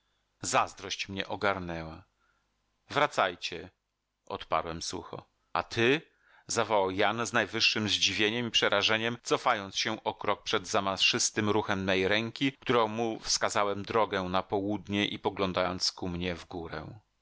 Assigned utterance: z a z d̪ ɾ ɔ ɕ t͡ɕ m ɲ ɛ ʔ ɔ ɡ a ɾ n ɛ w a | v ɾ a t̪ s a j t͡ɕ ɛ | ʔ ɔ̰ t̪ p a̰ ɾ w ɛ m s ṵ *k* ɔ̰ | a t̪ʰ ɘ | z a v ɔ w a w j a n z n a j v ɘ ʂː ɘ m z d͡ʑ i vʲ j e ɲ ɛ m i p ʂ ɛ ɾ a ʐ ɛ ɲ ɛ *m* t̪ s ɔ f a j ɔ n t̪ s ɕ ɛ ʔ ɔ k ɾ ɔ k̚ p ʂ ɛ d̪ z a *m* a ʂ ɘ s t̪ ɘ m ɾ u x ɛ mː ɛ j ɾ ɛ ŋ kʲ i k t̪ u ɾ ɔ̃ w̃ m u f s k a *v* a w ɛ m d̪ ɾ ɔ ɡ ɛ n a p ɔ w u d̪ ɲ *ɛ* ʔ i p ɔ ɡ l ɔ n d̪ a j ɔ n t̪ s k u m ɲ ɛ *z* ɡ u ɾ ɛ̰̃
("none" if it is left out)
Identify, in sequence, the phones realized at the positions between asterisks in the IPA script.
x, m, m, z, ɛ, v

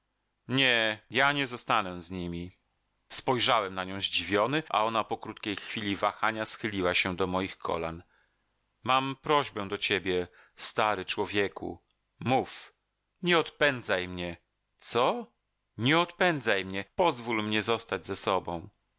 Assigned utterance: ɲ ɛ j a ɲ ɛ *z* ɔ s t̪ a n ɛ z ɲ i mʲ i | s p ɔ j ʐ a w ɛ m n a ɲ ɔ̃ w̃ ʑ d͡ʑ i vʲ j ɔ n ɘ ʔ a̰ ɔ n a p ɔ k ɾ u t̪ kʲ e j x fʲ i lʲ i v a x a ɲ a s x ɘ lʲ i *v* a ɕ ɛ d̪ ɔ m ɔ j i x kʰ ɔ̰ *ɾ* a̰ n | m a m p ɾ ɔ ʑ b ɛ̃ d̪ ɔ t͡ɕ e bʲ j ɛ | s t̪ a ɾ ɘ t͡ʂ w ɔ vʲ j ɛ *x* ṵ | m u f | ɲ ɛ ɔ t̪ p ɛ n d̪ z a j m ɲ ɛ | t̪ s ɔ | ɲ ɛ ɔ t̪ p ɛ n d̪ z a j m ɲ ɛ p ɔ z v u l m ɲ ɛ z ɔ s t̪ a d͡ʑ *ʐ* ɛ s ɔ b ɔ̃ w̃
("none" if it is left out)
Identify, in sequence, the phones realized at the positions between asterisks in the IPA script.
z, w, l, k, z

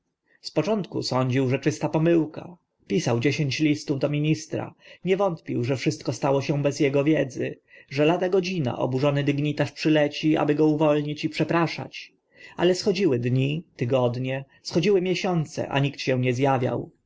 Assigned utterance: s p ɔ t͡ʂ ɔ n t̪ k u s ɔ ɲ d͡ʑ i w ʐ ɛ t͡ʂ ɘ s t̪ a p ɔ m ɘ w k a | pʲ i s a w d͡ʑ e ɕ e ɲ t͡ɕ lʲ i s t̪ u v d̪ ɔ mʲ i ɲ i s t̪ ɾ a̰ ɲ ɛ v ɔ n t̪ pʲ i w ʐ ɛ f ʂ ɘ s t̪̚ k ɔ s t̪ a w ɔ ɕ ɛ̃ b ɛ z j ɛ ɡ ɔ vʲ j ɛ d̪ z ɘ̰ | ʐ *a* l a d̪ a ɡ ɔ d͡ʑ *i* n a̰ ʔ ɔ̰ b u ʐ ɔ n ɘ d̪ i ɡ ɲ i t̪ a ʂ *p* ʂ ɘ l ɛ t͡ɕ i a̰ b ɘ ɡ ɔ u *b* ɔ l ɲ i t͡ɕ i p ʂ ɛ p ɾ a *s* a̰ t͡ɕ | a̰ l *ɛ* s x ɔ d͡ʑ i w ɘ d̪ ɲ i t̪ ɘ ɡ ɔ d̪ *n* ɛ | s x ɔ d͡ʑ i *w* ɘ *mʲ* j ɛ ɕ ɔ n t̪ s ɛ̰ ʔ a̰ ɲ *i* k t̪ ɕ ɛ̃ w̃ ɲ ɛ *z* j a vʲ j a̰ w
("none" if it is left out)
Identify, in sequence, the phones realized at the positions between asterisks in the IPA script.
ɛ, i, p, v, ʂ, ɛ, ɲ, w, mʲ, i, z

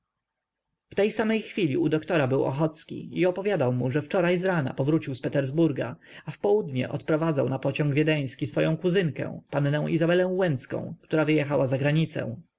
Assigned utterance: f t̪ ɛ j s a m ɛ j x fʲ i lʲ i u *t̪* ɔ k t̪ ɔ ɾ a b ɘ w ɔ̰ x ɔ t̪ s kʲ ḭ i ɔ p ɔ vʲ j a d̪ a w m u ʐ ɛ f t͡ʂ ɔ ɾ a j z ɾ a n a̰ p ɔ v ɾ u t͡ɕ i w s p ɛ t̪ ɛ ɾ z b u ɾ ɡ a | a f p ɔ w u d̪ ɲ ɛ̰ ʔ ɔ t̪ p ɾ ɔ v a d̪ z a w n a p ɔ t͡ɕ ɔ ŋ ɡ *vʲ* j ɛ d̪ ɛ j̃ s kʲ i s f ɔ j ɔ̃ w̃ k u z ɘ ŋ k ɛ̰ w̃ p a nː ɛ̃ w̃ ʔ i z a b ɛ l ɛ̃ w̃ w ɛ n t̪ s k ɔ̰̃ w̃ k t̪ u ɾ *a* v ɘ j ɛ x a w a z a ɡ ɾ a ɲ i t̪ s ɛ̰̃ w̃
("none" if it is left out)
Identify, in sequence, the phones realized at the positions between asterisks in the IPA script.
d̪, vʲ, a

